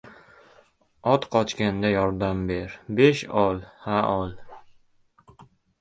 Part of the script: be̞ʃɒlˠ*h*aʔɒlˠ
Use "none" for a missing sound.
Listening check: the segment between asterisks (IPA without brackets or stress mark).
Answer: h